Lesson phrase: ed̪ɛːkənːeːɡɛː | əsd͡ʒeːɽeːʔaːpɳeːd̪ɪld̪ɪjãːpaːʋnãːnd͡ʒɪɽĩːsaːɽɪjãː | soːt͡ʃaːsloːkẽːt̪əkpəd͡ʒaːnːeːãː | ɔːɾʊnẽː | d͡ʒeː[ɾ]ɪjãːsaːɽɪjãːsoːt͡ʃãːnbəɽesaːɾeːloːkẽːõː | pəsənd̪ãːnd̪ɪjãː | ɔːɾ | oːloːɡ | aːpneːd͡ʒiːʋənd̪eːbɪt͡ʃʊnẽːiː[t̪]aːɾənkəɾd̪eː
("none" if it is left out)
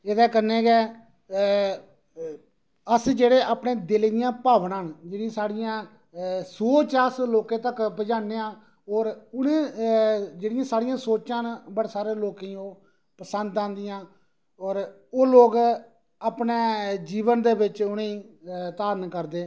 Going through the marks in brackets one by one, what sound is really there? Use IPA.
ɽ, t̪

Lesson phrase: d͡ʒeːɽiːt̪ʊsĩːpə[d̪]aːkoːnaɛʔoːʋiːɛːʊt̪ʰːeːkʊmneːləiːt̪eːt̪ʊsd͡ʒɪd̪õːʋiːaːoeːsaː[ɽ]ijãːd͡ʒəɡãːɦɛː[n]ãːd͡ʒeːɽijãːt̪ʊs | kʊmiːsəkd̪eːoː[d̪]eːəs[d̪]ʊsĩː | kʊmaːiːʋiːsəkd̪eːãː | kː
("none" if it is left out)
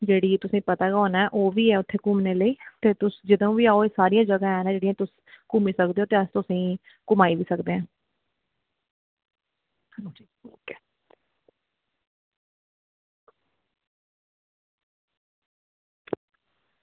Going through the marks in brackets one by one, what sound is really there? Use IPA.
t̪, ɾ, n, t̪, t̪

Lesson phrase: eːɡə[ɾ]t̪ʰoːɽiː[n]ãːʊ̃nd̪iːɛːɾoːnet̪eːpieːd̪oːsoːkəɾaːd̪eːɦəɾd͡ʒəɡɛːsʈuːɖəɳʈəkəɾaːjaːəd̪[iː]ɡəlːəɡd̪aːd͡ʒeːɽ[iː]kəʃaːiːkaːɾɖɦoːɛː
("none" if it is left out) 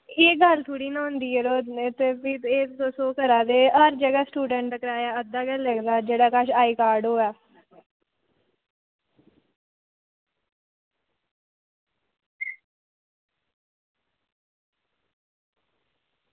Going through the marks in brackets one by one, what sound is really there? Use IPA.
l, n, aː, aː

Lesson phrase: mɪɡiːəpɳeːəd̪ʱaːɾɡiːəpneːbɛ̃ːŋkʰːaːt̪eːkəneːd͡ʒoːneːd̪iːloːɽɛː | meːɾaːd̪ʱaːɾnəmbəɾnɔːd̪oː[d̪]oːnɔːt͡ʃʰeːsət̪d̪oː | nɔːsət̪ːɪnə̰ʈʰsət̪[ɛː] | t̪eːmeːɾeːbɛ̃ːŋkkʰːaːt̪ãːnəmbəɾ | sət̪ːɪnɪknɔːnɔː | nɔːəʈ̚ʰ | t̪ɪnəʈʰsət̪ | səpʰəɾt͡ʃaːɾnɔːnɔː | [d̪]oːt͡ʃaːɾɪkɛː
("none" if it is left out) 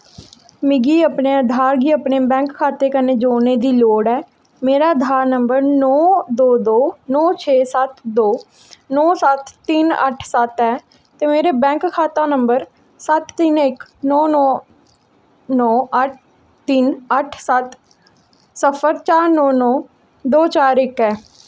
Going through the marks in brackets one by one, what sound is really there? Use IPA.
d̪, ɛː, d̪

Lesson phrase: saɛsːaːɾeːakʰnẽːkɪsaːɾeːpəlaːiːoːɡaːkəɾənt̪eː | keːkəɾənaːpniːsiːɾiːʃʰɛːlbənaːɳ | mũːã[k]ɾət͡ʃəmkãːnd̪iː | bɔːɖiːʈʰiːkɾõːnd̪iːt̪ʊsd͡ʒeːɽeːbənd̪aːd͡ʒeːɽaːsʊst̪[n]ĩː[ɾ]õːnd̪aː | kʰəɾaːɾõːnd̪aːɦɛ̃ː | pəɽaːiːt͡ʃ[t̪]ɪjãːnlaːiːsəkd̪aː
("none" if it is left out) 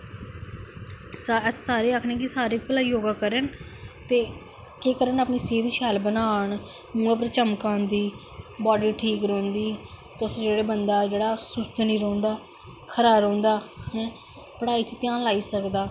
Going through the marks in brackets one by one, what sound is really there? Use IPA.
p, n, ɾ, t̪

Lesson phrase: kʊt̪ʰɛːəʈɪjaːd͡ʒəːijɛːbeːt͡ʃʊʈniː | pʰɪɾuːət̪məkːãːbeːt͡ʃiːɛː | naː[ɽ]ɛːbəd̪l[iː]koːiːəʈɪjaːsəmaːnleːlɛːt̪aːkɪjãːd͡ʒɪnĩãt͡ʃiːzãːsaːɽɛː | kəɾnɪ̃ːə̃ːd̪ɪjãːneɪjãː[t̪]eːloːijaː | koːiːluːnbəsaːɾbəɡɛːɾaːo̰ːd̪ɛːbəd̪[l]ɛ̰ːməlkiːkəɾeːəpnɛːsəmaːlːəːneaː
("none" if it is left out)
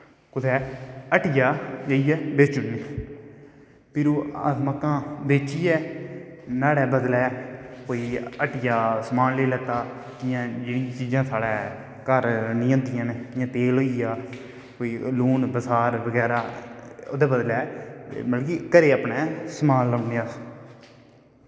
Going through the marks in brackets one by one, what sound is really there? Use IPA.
ɽ, ɛː, t̪, l

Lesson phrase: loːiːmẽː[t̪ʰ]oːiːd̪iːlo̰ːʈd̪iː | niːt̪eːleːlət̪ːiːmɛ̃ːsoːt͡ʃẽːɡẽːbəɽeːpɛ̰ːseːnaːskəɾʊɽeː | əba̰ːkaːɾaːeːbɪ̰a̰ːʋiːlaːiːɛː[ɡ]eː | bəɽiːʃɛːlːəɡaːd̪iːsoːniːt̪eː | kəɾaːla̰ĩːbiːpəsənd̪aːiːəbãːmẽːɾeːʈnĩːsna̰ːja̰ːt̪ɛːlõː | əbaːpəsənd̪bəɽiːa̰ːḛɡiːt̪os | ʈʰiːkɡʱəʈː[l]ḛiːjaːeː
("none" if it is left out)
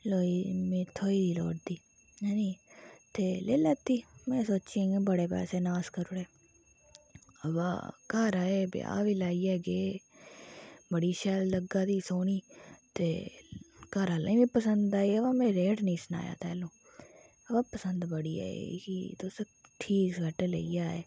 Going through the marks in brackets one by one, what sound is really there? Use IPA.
t̪ʰ, ɡ, l

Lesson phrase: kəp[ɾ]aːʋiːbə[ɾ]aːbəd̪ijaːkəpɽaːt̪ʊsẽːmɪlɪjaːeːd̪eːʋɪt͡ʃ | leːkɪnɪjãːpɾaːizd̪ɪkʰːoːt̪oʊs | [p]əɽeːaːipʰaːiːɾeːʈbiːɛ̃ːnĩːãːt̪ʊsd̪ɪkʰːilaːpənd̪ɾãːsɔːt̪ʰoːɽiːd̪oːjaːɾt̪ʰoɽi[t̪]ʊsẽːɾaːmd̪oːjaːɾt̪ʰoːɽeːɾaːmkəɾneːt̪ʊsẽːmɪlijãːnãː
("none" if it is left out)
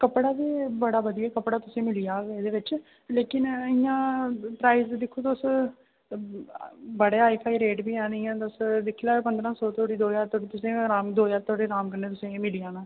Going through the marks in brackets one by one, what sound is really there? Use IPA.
ɽ, ɽ, b, t̪

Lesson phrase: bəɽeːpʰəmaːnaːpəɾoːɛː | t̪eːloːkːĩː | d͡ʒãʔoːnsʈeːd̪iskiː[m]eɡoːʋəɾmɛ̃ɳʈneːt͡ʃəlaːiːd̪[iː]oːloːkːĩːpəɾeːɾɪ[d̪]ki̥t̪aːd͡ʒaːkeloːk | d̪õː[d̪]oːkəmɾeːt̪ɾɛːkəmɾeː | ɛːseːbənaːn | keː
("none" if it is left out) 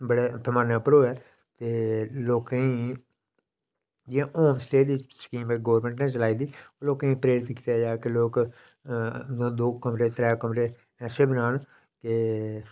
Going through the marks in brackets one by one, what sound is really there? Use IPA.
m, iː, t̪, d̪

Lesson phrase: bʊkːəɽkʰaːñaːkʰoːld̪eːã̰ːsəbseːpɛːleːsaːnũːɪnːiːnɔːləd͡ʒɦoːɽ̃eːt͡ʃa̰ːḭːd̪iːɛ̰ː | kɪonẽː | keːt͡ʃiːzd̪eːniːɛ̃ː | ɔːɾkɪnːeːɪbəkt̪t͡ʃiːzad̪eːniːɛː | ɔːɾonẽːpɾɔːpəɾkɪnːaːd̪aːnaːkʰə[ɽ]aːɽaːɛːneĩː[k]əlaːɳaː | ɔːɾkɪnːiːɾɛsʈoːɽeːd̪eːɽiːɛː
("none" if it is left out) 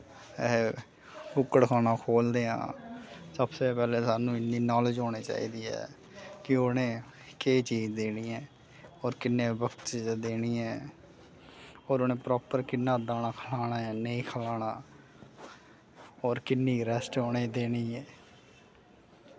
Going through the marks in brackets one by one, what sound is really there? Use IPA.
l, kʰ

